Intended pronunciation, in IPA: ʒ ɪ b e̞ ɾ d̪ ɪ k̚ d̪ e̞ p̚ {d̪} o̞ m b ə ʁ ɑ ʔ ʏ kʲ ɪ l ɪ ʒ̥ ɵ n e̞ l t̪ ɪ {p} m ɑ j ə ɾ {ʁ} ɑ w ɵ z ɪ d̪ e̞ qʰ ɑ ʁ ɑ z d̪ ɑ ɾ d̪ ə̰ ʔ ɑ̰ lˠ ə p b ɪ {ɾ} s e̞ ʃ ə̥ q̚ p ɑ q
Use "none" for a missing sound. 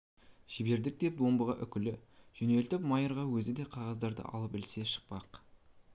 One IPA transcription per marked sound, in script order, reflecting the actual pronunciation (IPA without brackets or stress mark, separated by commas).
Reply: d̪, p, ʁ, l